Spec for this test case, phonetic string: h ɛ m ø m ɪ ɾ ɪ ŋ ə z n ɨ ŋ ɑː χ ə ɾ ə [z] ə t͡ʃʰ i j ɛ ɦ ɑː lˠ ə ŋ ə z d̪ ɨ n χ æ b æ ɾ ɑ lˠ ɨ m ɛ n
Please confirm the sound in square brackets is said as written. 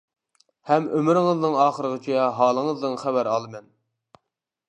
no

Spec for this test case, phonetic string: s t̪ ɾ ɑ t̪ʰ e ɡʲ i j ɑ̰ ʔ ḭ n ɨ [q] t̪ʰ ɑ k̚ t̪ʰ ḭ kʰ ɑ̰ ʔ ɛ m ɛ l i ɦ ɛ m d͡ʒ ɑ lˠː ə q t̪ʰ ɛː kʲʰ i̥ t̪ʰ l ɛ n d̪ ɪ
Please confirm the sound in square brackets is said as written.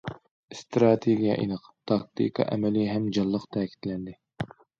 yes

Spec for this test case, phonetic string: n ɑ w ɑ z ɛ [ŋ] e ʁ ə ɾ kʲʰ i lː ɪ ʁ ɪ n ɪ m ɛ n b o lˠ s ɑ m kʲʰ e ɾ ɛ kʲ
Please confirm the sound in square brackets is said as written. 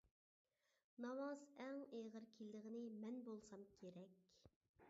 yes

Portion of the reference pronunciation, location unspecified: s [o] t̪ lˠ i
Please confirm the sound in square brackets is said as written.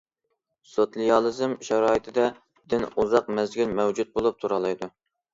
yes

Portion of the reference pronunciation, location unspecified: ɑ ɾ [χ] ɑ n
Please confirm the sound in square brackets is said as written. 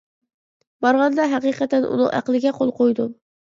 no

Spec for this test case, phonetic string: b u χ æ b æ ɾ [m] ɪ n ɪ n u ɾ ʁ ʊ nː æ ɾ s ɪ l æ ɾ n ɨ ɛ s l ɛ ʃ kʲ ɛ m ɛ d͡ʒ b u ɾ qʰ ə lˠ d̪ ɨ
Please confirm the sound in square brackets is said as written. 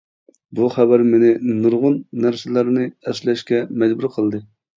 yes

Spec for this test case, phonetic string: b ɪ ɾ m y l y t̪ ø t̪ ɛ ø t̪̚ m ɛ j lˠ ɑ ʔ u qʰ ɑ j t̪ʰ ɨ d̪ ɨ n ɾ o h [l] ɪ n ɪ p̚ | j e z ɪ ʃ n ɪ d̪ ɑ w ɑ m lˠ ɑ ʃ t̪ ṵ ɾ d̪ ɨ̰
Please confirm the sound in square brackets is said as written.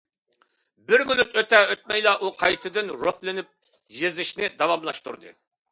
yes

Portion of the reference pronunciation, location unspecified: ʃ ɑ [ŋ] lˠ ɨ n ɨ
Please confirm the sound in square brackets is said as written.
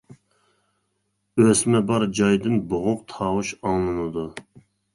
yes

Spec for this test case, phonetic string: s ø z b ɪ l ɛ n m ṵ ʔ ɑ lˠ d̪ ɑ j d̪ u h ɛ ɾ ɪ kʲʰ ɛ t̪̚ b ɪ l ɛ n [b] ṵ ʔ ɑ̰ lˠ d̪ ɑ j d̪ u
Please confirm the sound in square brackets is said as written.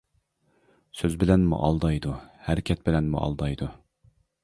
no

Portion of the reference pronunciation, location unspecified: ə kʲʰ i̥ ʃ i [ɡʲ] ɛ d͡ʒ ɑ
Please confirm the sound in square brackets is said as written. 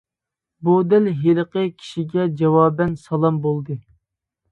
yes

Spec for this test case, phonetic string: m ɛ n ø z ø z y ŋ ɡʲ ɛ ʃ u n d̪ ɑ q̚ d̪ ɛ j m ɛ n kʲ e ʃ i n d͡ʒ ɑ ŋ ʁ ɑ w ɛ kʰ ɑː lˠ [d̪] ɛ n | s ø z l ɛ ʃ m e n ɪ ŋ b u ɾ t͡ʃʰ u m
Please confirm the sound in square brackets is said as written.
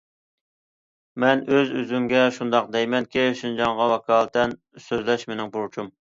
no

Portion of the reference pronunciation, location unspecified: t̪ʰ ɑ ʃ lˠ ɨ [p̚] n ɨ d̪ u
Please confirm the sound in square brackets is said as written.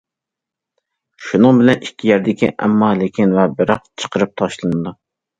no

